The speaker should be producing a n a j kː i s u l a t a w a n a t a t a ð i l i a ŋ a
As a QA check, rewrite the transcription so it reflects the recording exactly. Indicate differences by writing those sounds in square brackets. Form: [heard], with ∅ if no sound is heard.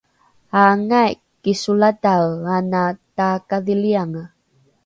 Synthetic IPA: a [ŋ] a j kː i s u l a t a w a n a t a [k] a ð i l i a ŋ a